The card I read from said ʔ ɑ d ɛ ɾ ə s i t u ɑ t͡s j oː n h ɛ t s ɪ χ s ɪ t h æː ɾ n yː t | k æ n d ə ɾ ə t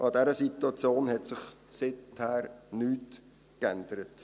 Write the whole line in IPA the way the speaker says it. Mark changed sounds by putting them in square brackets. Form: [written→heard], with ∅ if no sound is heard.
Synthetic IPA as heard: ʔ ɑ d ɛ ɾ ə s i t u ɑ t͡s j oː n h ɛ t s ɪ χ s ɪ t h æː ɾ n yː t | k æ n d ə ɾ ə t